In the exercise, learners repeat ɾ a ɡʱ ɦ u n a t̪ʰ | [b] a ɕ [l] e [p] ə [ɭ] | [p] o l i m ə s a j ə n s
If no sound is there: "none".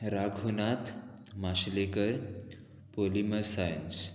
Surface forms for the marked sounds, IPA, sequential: m, l, k, ɾ, p

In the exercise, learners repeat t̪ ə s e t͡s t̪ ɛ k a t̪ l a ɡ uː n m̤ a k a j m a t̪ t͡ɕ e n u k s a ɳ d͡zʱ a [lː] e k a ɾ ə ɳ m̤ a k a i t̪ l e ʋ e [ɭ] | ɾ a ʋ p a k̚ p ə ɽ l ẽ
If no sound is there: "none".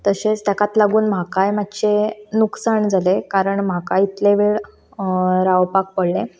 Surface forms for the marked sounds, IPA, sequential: l, ɭ

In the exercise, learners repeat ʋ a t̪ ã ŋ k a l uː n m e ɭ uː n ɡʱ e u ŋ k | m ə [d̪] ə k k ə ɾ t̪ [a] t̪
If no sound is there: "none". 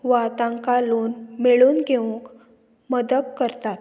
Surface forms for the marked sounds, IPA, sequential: d̪, a

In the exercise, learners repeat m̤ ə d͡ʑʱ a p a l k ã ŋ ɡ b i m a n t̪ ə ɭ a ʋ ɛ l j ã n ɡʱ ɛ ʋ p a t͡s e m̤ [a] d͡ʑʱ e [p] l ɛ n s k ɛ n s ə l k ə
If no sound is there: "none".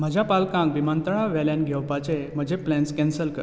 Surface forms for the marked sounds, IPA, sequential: ə, p

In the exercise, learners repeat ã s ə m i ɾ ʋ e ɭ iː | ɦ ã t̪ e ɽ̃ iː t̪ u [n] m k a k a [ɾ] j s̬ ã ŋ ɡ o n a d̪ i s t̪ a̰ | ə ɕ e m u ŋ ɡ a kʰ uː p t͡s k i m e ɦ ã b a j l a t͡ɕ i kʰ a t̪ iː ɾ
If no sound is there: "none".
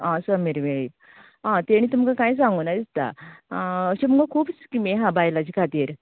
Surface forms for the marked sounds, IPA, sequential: none, none

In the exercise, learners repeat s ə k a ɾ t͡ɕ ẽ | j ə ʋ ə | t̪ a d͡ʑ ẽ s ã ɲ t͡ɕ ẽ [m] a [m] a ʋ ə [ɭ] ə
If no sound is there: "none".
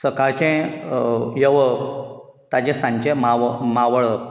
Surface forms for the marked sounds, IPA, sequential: m, m, ɭ

